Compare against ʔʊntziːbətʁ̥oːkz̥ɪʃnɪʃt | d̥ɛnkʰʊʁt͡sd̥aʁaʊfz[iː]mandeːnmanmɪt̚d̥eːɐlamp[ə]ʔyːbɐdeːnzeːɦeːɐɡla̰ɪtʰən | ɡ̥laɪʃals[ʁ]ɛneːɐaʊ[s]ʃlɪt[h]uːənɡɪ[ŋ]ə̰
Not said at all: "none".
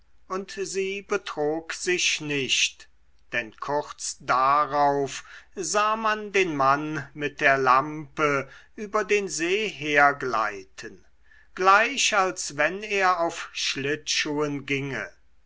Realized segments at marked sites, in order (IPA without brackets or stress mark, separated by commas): aː, ə, v, f, ʃ, ŋ